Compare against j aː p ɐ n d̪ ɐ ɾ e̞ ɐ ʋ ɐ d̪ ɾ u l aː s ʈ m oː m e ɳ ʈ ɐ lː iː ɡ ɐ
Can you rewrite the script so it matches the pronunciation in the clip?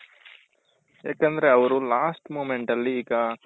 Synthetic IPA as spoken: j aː k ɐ n d̪ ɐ ɾ e̞ ɐ ʋ ɐ ɾ u l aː s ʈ m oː m e ɳ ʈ ɐ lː iː ɡ ɐ

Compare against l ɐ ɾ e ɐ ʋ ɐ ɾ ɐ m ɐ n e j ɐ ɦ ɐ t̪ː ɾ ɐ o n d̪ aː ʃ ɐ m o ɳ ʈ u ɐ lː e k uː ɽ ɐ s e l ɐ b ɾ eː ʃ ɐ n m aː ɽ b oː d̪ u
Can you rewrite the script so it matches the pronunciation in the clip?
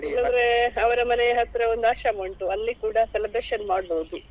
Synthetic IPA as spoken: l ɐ ɾ e ɐ ʋ ɐ ɾ ɐ m ɐ n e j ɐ ɦ ɐ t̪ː ɾ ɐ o n d̪ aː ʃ ɐ m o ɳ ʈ u ɐ lː i k uː ɽ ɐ s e l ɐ b ɾ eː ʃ ɐ n m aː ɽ b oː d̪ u

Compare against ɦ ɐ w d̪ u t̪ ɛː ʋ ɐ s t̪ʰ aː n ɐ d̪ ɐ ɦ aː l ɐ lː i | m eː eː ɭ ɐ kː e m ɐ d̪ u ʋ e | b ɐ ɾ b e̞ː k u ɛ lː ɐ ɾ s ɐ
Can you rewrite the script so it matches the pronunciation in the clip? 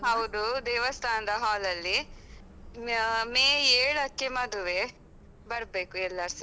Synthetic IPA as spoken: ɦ ɐ w d̪ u d̪ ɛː ʋ ɐ s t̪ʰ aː n ɐ d̪ ɐ ɦ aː l ɐ lː i | m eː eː ɭ ɐ kː e m ɐ d̪ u ʋ e | b ɐ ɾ b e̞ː k u ɛ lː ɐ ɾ s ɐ

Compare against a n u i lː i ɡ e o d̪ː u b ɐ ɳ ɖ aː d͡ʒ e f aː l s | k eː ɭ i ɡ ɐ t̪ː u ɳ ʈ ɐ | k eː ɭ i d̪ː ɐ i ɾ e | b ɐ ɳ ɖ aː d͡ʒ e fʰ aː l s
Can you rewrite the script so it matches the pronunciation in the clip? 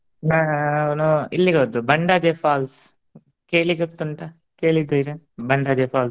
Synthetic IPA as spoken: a n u i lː i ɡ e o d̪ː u b ɐ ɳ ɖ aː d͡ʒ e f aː l s | k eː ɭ i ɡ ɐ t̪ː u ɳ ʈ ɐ | k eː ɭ i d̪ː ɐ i ɾ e | b ɐ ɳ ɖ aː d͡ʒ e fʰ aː l s

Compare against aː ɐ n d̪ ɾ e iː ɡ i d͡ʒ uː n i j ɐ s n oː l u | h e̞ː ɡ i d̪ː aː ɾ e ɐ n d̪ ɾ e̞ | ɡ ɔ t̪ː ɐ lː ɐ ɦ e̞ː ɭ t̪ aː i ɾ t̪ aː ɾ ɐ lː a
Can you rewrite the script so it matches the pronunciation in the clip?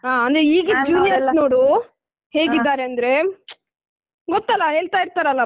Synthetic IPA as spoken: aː ɐ n d̪ ɾ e iː ɡ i d͡ʒ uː n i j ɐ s n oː ɽ u | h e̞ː ɡ i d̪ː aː ɾ e ɐ n d̪ ɾ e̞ | ɡ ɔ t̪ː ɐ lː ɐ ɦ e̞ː ɭ t̪ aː i ɾ t̪ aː ɾ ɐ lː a

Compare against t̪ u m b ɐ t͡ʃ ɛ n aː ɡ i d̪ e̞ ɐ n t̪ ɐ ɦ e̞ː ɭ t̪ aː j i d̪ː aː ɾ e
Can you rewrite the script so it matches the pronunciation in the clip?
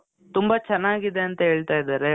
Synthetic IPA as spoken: t̪ u m b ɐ t͡ʃ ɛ nː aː ɡ i d̪ e̞ ɐ n t̪ ɐ ɦ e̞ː ɭ t̪ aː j i d̪ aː ɾ e

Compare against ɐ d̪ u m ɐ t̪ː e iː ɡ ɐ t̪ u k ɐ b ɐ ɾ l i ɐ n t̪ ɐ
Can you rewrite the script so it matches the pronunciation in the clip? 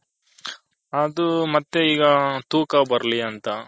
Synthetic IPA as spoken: ɐ d̪ u m ɐ t̪ː e iː ɡ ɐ t̪ uː k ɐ b ɐ ɾ l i ɐ n t̪ ɐ

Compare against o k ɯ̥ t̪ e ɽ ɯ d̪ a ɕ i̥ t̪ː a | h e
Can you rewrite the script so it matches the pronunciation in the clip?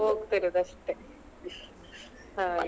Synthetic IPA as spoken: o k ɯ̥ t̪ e ɾ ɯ d̪ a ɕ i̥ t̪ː e | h a

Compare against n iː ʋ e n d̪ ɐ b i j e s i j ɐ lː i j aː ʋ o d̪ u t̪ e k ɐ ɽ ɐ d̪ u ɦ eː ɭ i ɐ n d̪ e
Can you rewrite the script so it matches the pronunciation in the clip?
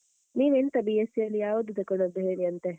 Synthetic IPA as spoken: n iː ʋ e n t̪ ɐ b i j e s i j ɐ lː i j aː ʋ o d̪ u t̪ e k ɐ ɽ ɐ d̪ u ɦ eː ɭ i ɐ n t̪ e

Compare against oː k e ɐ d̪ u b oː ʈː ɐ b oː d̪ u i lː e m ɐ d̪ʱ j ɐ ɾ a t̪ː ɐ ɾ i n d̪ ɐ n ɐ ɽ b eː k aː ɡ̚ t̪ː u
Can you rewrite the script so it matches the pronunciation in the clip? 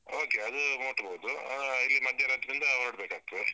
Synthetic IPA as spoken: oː k e ɐ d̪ u m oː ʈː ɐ b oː d̪ u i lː i m ɐ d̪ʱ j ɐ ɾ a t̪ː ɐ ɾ i n d̪ ɐ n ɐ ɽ b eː k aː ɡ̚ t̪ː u

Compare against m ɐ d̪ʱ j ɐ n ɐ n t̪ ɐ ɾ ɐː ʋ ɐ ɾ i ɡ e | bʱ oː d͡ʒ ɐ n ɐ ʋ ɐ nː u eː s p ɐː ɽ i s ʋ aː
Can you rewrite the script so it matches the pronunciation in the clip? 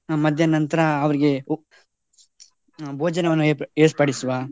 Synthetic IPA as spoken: m ɐ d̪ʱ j ɐ n ɐ n t̪ ɐ ɾ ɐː ʋ ɐ ɾ i ɡ e | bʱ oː d͡ʒ ɐ n ɐ ʋ ɐ nː u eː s p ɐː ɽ i s ʋ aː

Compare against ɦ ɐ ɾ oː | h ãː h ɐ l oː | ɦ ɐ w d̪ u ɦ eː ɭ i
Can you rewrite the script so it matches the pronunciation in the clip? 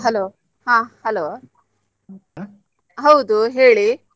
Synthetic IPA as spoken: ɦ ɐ l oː | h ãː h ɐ l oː | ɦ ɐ w d̪ u ɦ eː ɭ i

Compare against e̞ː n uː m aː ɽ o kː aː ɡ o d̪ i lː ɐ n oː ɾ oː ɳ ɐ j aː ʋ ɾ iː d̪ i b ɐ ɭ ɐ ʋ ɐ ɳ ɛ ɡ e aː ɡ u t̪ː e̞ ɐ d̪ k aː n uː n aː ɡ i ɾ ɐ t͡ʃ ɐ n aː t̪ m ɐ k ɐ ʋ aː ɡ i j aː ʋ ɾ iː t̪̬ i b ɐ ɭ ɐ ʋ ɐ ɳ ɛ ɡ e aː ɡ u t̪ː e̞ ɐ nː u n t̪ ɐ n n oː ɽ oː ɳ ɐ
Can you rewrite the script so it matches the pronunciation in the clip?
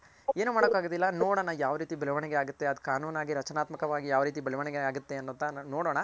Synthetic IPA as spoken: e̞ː n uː m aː ɽ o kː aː ɡ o d̪ i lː ɐ n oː ɽ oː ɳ ɐ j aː ʋ ɾ iː t̪ i b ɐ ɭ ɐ ʋ ɐ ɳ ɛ ɡ e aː ɡ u t̪ː e̞ ɐ d̪ k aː n uː n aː ɡ i ɾ ɐ t͡ʃ ɐ n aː t̪ m ɐ k ɐ ʋ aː ɡ i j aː ʋ ɾ iː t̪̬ i b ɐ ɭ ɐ ʋ ɐ ɳ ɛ ɡ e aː ɡ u t̪ː e̞ ɐ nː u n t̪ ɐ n n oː ɽ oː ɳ ɐ

